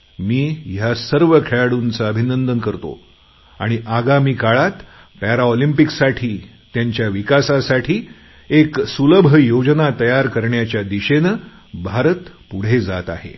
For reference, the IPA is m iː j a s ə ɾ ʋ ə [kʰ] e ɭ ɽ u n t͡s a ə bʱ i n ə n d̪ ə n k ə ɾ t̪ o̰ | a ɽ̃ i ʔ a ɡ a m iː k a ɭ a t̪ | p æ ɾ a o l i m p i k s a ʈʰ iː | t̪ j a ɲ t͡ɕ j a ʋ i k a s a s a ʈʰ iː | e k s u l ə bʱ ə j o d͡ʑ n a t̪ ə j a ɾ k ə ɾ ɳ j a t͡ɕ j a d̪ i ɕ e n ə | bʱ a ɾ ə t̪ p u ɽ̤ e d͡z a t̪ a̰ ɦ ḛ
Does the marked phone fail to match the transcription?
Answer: no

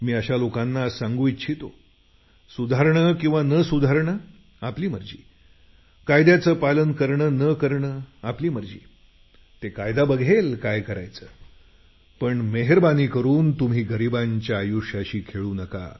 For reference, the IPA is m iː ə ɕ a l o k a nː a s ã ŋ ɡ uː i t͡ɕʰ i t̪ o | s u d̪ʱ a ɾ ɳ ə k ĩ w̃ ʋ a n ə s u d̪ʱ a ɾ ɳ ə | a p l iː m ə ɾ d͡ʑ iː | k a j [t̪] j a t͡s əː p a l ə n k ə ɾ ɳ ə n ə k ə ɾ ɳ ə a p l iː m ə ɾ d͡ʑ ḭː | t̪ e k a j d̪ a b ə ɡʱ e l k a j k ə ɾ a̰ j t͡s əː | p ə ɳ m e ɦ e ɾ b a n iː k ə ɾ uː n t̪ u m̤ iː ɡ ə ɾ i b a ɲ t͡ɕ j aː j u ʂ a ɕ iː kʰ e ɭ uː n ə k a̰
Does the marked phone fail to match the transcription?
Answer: yes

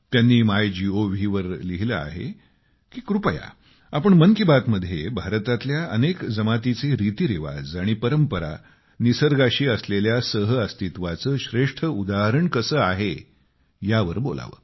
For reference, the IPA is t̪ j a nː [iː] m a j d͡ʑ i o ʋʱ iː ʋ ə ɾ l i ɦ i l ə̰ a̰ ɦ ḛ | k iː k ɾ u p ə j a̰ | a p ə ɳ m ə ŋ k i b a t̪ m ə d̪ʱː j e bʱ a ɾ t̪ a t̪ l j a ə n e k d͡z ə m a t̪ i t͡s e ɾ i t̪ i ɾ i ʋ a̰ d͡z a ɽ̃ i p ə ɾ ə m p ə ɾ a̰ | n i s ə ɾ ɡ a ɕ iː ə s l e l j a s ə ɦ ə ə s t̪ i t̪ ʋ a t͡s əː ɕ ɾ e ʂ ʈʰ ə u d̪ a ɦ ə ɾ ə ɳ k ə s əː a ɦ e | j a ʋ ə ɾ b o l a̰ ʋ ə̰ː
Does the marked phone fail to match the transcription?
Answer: no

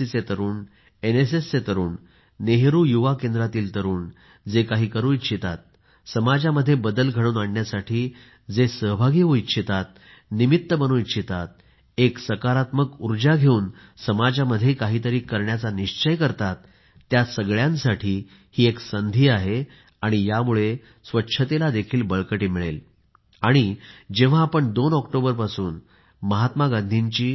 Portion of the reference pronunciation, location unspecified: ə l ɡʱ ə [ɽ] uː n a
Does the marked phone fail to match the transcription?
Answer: no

